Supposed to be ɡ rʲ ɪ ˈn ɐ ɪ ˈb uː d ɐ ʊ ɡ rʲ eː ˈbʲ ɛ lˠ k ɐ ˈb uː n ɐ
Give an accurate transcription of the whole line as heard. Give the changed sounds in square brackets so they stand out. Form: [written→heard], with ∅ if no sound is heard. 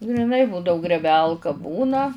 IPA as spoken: ɡ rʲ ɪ ˈn ɐ ɪ ˈb uː d ɐ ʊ ɡ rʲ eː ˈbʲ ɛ lˠ k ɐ ˈb uː n ɐ